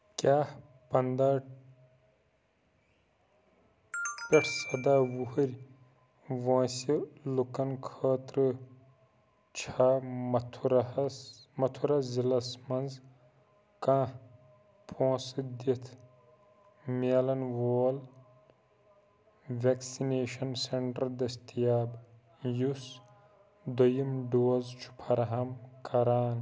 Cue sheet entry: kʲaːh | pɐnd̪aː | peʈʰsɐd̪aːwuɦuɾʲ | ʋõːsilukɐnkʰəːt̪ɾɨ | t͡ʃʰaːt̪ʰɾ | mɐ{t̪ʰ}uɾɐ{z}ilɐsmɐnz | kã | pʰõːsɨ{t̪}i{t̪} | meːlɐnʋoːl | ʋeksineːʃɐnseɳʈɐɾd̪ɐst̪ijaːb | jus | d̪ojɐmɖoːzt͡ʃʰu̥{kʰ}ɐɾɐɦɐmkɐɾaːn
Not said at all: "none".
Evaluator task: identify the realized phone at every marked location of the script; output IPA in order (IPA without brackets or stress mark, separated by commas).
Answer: t̪ʰ, z, d̪, t̪ʰ, pʰ